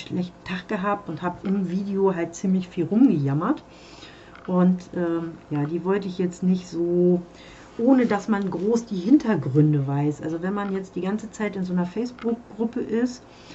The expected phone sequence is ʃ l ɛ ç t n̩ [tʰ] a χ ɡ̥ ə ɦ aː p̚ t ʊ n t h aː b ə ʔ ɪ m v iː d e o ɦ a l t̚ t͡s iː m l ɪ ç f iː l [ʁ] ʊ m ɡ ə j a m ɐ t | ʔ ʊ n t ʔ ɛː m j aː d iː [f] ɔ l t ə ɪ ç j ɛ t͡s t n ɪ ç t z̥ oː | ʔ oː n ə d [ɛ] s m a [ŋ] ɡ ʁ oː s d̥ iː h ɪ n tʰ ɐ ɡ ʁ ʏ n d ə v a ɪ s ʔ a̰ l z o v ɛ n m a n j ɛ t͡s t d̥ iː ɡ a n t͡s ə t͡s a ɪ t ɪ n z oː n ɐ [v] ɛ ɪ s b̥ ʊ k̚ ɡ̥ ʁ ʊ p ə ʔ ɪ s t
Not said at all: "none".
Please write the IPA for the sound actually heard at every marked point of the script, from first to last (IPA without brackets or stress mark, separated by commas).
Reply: tʰ, ʁ, v, a, n, f